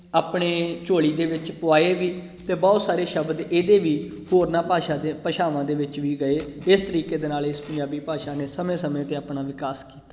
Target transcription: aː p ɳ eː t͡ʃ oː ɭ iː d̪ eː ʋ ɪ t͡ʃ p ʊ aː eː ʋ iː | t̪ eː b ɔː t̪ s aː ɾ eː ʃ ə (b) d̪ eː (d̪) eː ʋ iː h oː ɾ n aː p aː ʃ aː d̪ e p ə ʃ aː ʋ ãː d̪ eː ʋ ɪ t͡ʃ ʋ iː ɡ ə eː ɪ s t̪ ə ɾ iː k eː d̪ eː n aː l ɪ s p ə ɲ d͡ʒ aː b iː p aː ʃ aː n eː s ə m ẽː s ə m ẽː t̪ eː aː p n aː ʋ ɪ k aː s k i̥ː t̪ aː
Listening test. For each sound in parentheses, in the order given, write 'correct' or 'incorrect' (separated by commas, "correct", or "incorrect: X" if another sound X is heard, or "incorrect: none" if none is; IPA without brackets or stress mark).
correct, correct